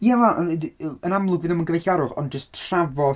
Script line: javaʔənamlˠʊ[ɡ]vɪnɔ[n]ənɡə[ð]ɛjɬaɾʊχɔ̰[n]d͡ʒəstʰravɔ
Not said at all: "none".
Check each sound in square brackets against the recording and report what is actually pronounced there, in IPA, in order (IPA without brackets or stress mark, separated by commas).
ɡ, m, v, n